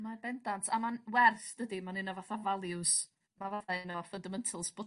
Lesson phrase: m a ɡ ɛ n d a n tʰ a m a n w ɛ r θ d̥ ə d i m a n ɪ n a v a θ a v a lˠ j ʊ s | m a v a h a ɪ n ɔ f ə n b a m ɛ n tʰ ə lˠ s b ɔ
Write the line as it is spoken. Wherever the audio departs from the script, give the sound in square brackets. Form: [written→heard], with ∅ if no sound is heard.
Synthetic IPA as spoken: m a [ɡ→b] ɛ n d a n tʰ a m a n w ɛ r θ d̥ ə d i m a n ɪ n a v a θ a v a lˠ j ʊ s | m a v a [h→θ] a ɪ n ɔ f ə n [b→d] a m ɛ n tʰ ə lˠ s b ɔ